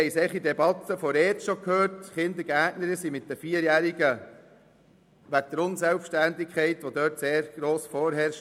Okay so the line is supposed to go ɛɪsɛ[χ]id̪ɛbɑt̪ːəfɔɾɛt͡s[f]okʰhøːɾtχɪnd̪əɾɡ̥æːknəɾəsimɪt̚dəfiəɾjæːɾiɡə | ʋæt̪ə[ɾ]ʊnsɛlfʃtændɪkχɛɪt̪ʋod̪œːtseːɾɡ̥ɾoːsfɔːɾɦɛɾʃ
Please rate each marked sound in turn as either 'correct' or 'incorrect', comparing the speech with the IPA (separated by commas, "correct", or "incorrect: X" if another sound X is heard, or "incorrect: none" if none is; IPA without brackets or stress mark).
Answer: correct, incorrect: ʃ, correct